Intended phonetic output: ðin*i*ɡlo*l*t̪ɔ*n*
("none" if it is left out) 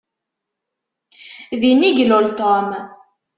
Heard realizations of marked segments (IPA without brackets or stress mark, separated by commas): i, l, m